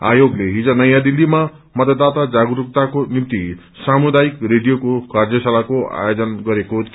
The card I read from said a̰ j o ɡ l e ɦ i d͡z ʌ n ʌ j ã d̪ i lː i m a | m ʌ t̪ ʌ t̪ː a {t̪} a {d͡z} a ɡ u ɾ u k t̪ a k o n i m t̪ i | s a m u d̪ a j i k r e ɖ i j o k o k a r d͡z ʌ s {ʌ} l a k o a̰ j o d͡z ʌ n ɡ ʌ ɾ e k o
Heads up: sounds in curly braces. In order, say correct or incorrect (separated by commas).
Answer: correct, correct, incorrect